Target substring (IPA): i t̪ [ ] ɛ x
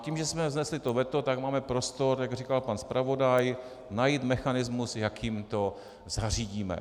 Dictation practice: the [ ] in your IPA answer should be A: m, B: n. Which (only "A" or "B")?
A